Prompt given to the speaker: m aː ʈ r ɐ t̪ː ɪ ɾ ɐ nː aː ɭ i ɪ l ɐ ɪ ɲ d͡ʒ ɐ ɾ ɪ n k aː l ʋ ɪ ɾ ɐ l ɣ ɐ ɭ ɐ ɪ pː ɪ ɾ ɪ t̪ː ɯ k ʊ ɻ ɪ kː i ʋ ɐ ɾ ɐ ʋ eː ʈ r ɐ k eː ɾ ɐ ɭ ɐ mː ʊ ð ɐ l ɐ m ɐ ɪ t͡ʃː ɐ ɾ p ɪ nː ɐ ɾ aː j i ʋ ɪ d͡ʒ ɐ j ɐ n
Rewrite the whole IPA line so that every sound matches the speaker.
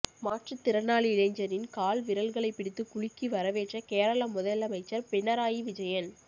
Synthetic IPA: m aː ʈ r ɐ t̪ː ɪ ɾ ɐ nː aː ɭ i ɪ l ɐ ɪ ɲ d͡ʒ ɐ ɾ ɪ n k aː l ʋ ɪ ɾ ɐ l ɣ ɐ ɭ ɐ ɪ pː ɪ ɽ ɪ t̪ː ɯ k ʊ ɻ ɪ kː i ʋ ɐ ɾ ɐ ʋ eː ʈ r ɐ k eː ɾ ɐ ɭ ɐ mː ʊ ð ɐ l ɐ m ɐ ɪ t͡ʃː ɐ ɾ p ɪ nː ɐ ɾ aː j i ʋ ɪ d͡ʒ ɐ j ɐ n

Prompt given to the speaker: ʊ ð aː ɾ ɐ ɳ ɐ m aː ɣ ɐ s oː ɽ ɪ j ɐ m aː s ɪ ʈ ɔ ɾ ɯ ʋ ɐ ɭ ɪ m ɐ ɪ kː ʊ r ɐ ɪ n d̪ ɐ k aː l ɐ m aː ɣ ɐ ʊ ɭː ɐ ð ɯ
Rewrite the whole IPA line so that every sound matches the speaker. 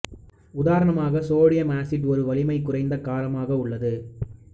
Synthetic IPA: ʊ ð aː ɾ ɐ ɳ ɐ m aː ɣ ɐ s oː ɽ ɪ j ɐ m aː s ɪ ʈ ɔ ɾ ɯ ʋ ɐ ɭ ɪ m ɐ ɪ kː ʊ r ɐ ɪ n d̪ ɐ k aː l ɐ m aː ɣ ɐ ʊ ɭː ɐ ð ɯ

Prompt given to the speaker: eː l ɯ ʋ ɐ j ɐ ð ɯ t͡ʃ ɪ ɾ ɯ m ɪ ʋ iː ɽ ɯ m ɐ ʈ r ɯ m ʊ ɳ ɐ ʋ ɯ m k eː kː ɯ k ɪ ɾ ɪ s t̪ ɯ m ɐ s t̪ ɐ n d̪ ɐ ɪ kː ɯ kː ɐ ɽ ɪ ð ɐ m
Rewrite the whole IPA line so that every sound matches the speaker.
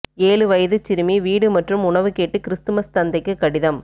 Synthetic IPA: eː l ɯ ʋ ɐ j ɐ ð ɯ t͡ʃ ɪ ɾ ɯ m i ʋ iː ɽ ɯ m ɐ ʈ r ɯ m ʊ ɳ ɐ ʋ ɯ k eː ʈː ɯ k ɪ ɾ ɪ s t̪ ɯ m ɐ s t̪ ɐ n d̪ ɐ ɪ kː ɯ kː ɐ ɽ ɪ ð ɐ m

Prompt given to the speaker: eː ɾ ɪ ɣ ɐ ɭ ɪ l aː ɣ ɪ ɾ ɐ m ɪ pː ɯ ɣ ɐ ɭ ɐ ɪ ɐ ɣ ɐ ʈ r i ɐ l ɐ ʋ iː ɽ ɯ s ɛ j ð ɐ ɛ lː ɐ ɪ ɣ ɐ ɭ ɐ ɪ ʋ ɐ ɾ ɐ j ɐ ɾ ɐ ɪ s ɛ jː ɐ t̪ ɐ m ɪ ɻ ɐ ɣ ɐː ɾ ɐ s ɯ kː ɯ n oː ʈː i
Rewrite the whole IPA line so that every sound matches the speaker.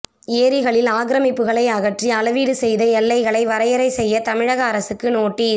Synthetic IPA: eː ɾ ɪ ɣ ɐ ɭ ɪ l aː ɣ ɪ ɾ ɐ m ɪ pː ɯ ɣ ɐ ɭ ɐ ɪ ɐ ɣ ɐ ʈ r i ɐ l ɐ ʋ iː ɽ ɯ s ɛ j ð ɐ ɛ lː ɐ ɪ ɣ ɐ ɭ ɐ ɪ ʋ ɐ ɾ ɐ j ɐ ɾ ɐ ɪ s ɛ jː ɐ t̪ ɐ m ɪ ɻ ɐ ɣ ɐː ɾ ɐ s ɯ kː ɯ n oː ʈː i

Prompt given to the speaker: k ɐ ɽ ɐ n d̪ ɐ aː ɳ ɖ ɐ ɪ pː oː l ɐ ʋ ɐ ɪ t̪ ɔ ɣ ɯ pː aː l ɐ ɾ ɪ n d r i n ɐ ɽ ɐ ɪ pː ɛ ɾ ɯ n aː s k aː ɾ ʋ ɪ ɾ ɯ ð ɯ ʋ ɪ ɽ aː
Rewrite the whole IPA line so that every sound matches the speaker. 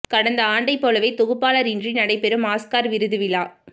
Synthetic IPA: k ɐ ɽ ɐ n d̪ ɐ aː ɳ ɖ ɐ ɪ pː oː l ɐ ʋ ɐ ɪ t̪ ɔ ɣ ɯ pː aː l ɐ ɾ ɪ n d r i n ɐ ɽ ɐ ɪ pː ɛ ɾ ɯ m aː s k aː ɾ ʋ ɪ ɾ ɯ ð ɯ ʋ ɪ l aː

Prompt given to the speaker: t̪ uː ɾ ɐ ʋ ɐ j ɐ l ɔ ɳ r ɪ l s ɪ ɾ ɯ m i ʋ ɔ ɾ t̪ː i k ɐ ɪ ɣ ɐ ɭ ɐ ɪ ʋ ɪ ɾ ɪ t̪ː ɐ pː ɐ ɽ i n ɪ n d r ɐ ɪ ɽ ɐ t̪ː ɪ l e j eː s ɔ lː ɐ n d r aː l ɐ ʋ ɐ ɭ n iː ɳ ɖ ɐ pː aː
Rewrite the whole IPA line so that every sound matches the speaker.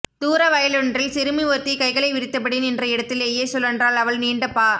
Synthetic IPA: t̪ uː ɾ ɐ ʋ ɐ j ɐ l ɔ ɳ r ɪ l s ɪ ɾ ɯ m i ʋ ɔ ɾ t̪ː i k ɐ ɪ ɣ ɐ ɭ ɐ ɪ ʋ ɪ ɾ ɪ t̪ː ɐ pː ɐ ɽ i n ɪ n d r ɐ ɪ ɽ ɐ t̪ː ɪ l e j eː s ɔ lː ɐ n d r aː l ɐ ʋ ɐ ɭ n iː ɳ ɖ ɐ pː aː

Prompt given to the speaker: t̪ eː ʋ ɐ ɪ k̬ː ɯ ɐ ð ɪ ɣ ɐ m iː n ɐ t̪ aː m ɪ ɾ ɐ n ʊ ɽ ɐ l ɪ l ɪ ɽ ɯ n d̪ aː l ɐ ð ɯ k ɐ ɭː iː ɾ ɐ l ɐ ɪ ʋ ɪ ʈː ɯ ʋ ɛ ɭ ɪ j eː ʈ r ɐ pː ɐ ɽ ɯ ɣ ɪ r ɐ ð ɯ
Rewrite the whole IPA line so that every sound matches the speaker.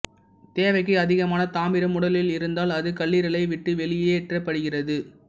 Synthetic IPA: t̪ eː ʋ ɐ ɪ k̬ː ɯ ɐ ð ɪ ɣ ɐ m aː n ɐ t̪ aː m ɪ ɾ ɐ m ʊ ɽ ɐ l ɪ l ɪ ɾ ɯ n d̪ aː l ɐ ð ɯ k ɐ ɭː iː ɾ ɐ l ɐ ɪ ʋ ɪ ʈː ɯ ʋ ɛ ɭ ɪ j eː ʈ r ɐ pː ɐ ɽ ɯ ɣ ɪ r ɐ ð ɯ

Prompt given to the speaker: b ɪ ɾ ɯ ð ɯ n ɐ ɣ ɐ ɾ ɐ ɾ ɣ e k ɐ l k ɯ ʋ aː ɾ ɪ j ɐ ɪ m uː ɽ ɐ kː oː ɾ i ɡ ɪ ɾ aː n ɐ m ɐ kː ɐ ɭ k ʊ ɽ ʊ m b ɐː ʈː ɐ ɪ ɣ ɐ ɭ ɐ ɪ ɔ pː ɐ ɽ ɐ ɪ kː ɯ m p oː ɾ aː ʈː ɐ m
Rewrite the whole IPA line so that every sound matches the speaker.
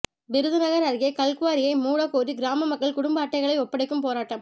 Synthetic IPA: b ɪ ɾ ɯ ð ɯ n ɐ ɣ ɐ ɾ ɐ ɾ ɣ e k ɐ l k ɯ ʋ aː ɾ ɪ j ɐ ɪ m uː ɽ ɐ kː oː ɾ i ɡ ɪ ɾ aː m ɐ m ɐ kː ɐ ɭ k ʊ ɽ ʊ m b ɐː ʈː ɐ ɪ ɣ ɐ ɭ ɐ ɪ ɔ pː ɐ ɽ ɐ ɪ kː ɯ m p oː ɾ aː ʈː ɐ m

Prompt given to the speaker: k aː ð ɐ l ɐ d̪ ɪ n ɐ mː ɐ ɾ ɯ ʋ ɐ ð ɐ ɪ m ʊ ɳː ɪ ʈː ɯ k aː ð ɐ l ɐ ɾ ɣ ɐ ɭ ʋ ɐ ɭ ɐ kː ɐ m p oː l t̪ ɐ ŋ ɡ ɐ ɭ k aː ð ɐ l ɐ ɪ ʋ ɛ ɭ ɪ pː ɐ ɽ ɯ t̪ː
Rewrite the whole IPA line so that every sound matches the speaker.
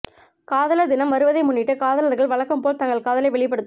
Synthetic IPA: k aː ð ɐ l ɐ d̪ ɪ n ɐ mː ɐ ɾ ɯ ʋ ɐ ð ɐ ɪ m ʊ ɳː ɪ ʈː ɯ k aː ð ɐ l ɐ ɾ ɣ ɐ ɭ ʋ ɐ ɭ ɐ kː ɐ m p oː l t̪ ɐ ŋ ɡ ɐ ɭ k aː ð ɐ l ɐ ɪ ʋ ɛ ɭ ɪ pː ɐ ɽ ɯ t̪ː

